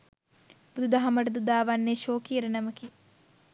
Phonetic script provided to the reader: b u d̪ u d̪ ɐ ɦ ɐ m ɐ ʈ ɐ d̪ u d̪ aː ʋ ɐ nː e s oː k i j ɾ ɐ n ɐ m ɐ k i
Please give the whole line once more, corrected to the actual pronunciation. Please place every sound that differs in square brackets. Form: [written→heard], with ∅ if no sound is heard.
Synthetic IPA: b u d̪ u d̪ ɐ ɦ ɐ m ɐ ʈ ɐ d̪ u d̪ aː ʋ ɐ nː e [s→ʃ] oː k i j ɾ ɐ n ɐ m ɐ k i